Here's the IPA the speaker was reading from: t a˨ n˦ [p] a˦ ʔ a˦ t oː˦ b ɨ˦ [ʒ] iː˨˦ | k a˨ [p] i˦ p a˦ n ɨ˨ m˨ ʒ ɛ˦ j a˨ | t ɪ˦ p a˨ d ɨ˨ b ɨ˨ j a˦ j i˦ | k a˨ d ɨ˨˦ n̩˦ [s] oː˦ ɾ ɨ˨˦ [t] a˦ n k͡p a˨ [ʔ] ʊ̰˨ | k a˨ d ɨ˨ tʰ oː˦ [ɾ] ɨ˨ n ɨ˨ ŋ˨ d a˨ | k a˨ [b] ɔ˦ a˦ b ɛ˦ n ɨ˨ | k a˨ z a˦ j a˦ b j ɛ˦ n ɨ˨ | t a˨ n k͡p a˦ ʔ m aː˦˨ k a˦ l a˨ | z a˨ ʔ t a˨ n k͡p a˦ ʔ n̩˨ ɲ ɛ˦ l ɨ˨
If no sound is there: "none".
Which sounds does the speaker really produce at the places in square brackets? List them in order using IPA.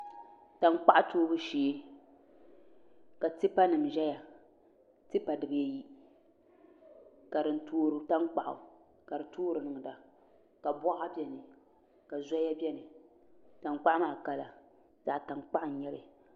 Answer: k͡p, ʃ, t, t, t, ʔ, ɾ, b

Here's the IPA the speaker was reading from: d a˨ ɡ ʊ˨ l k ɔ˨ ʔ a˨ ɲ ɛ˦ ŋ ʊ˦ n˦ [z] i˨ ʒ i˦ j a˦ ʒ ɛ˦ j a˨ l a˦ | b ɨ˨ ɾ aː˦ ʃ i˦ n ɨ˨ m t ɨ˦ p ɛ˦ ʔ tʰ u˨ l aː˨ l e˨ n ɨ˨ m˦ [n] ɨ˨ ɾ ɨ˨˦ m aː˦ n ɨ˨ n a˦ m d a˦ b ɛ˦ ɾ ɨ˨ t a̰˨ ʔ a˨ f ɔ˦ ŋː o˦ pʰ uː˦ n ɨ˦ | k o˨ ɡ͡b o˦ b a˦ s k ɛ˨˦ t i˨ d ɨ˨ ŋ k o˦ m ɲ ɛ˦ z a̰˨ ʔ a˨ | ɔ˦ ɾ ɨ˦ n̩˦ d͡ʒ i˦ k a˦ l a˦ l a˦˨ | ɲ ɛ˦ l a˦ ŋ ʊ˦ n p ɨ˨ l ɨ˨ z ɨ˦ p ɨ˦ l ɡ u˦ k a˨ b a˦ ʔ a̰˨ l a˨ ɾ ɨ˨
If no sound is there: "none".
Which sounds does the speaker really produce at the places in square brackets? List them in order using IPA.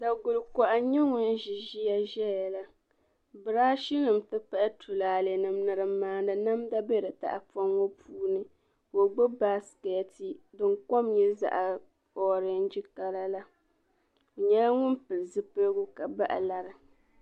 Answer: ʒ, n

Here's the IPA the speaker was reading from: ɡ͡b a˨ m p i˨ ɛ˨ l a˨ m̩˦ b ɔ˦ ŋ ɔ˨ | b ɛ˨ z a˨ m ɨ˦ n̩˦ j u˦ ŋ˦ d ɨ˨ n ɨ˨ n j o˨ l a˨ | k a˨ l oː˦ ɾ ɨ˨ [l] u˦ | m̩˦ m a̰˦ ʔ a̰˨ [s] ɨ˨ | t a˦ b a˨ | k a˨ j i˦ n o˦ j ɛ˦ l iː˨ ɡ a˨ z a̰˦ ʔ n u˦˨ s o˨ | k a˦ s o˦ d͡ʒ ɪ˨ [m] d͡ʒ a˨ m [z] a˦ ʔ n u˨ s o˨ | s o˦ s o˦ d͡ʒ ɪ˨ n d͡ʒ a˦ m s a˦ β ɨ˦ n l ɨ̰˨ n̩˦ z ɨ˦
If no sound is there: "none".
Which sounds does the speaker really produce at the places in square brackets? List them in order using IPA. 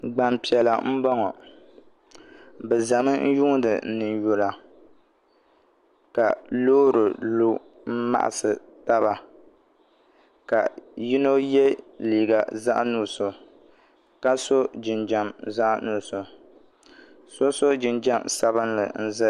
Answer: l, s, n, z

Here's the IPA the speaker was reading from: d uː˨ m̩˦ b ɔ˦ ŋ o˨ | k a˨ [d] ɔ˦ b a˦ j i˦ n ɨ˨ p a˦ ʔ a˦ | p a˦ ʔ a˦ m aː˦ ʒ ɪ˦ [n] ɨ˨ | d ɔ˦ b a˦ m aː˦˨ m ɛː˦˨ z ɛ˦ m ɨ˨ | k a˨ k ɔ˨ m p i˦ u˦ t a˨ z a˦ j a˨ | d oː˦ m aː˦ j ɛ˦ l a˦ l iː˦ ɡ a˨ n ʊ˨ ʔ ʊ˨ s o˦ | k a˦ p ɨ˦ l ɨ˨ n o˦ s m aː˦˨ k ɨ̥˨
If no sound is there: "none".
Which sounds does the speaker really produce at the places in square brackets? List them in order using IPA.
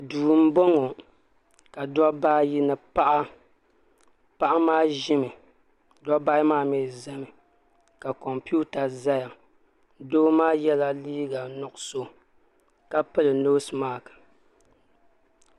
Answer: d, m

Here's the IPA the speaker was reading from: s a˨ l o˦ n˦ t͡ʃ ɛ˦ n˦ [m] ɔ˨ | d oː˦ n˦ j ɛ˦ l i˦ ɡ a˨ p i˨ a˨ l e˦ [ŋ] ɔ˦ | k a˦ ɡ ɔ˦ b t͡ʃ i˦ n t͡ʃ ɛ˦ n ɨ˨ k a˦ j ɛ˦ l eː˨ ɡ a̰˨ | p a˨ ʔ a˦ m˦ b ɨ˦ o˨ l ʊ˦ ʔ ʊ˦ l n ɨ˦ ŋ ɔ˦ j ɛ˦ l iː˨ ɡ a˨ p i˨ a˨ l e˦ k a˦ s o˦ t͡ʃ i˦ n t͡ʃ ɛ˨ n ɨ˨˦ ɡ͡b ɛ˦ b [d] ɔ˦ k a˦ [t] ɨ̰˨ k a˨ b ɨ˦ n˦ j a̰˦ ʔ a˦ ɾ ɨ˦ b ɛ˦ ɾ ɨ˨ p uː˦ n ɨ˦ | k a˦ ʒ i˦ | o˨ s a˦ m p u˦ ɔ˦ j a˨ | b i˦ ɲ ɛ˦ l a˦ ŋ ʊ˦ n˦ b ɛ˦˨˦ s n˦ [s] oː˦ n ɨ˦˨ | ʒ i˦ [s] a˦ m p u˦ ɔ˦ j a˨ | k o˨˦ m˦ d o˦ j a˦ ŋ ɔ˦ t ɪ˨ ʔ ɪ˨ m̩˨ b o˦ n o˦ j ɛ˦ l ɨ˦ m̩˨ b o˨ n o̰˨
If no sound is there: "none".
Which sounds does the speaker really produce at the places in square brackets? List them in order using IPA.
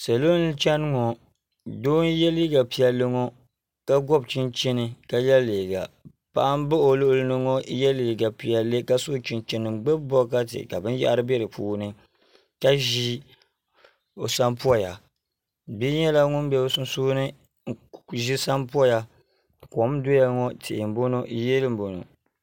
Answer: ŋ, ŋ, b, t, s, s

